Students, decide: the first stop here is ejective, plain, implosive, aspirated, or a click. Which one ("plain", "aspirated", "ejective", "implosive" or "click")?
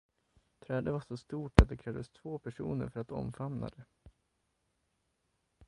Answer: aspirated